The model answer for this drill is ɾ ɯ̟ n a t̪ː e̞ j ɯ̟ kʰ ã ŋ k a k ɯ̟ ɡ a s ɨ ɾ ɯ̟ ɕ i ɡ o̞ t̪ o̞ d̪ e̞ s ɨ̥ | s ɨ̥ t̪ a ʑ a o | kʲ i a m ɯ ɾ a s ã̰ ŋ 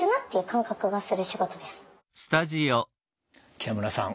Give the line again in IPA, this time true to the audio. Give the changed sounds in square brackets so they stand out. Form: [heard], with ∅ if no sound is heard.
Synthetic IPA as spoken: ɾ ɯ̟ n a t̪ː e̞ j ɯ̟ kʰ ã ŋ k a k ɯ̟ ɡ a s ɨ ɾ ɯ̟ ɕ i ɡ o̞ t̪ o̞ d̪ e̞ s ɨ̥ | s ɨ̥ t̪ a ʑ [i] o | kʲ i a m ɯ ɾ a s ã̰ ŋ

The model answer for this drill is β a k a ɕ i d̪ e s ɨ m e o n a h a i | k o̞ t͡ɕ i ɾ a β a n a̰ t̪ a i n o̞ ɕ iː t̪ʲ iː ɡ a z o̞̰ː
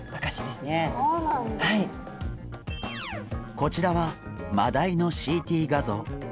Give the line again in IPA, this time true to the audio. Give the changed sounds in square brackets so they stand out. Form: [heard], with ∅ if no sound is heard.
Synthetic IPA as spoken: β a k a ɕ i d̪ e s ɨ [n] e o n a h a i | k o̞ t͡ɕ i ɾ a β a [m] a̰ [d̪] a i n o̞ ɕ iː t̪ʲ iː ɡ a z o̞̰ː

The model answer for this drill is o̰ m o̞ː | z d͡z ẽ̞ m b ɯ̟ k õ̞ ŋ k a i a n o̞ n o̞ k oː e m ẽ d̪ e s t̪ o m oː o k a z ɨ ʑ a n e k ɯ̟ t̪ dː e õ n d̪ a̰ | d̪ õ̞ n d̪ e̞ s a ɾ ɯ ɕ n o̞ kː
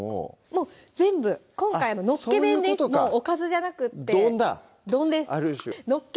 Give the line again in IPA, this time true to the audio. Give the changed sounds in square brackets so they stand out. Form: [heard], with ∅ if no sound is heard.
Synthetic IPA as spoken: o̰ m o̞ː | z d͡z ẽ̞ m b ɯ̟ k õ̞ ŋ k a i a n o̞ n o̞ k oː e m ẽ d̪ e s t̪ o m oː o k a z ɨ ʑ a n [a] k ɯ̟ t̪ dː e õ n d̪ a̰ | d̪ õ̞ n d̪ e̞ s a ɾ ɯ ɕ n o̞ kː

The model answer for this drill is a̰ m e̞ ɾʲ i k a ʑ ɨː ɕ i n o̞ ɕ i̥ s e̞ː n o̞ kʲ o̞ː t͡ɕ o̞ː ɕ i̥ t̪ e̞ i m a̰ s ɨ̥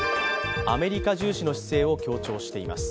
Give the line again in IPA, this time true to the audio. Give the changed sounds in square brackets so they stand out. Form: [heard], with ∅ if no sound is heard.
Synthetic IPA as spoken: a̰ m e̞ ɾʲ i k a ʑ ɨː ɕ i n o̞ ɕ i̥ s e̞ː [∅] o̞ kʲ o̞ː t͡ɕ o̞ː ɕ i̥ t̪ e̞ i m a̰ s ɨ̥

